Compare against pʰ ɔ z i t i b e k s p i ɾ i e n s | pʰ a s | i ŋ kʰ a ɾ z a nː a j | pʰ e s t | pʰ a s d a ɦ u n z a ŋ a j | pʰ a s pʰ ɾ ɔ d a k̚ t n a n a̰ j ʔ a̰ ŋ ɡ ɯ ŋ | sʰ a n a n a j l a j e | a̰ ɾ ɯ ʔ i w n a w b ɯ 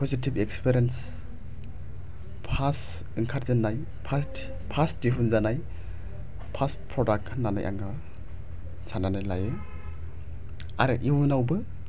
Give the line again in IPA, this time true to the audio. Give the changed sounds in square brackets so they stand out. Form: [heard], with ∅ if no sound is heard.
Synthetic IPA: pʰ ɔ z i t i b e k s p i ɾ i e n s | pʰ a s | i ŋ kʰ a ɾ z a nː a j | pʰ [a] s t | pʰ a s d [i] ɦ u n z a [n] a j | pʰ a s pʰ ɾ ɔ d a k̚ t n a n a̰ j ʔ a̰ ŋ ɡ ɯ [∅] | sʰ a n a n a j l a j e | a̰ ɾ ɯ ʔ i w n a w b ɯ